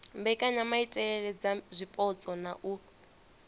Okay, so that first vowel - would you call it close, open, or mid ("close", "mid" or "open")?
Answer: mid